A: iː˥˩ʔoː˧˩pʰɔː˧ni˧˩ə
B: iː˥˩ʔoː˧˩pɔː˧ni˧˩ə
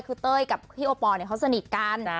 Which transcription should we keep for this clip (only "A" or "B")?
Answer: B